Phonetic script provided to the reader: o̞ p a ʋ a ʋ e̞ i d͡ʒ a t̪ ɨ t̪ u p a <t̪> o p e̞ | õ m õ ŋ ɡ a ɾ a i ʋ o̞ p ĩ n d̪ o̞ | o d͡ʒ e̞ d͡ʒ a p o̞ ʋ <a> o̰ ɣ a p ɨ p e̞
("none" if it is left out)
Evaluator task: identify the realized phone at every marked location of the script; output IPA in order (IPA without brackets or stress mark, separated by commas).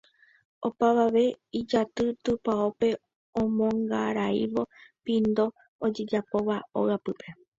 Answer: none, a